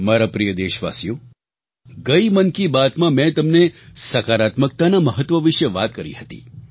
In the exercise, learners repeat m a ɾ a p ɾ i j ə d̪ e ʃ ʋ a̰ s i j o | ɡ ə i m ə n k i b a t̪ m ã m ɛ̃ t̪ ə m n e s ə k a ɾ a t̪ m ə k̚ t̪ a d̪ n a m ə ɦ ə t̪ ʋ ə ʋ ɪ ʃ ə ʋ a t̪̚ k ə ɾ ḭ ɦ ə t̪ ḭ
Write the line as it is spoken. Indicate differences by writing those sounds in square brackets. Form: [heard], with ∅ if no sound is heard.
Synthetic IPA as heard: m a ɾ a p ɾ i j ə d̪ e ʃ ʋ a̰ s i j o | ɡ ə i m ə n k i b a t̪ m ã m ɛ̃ t̪ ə m n e s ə k a ɾ a t̪ m ə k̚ t̪ a [∅] n a m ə ɦ ə t̪ ʋ ə ʋ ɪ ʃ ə ʋ a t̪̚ k ə ɾ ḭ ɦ ə t̪ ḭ